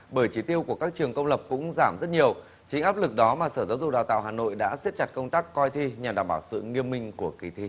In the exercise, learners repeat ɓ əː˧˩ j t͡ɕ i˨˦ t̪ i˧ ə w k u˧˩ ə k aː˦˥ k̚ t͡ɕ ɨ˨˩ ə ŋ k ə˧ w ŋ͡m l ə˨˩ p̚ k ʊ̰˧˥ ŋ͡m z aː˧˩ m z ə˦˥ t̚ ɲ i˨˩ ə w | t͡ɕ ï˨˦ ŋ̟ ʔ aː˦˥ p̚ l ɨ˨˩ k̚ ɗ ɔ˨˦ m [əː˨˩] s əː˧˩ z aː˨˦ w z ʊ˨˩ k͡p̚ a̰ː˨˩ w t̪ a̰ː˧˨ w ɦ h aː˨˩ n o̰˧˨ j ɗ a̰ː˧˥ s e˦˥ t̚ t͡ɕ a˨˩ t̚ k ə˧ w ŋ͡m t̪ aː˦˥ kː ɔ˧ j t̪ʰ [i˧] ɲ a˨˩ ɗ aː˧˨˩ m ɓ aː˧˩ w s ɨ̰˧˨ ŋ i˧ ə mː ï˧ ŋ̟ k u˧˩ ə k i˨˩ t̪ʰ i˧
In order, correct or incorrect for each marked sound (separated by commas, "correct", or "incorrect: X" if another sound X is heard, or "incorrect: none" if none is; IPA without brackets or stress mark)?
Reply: incorrect: aː˨˩, correct